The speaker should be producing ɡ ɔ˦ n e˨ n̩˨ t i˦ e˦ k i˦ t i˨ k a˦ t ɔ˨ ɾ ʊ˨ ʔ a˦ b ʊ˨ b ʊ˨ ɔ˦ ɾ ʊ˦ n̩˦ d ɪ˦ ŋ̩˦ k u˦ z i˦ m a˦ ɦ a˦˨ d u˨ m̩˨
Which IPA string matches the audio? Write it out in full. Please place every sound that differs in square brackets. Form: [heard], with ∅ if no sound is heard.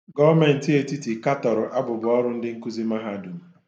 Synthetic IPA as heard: ɡ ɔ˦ [m] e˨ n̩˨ t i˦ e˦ [t] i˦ t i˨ k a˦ t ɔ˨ ɾ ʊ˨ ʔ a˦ b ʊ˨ b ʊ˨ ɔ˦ ɾ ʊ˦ n̩˦ d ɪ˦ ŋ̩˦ k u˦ z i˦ m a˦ ɦ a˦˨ d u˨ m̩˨